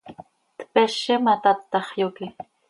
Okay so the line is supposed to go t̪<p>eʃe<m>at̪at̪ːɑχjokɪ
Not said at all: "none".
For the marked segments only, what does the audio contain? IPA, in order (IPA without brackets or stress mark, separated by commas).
p, m